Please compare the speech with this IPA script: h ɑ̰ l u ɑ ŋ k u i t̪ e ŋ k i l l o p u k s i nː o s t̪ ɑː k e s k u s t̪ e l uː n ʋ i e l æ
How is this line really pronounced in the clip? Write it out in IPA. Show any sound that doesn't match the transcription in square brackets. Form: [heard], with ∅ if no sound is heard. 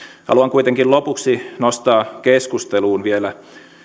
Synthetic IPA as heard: h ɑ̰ l u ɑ ŋ k u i t̪ e ŋ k i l l o p u k s i [n] o s t̪ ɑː k e s k u s t̪ e l uː n ʋ i e l æ